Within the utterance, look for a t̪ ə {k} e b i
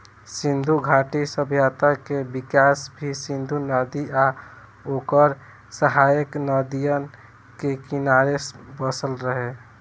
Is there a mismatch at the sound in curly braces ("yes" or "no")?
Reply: no